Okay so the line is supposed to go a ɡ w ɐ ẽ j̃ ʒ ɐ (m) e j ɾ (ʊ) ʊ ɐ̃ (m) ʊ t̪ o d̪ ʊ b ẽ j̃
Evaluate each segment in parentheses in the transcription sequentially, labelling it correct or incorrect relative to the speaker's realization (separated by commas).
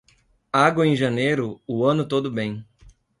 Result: incorrect, correct, incorrect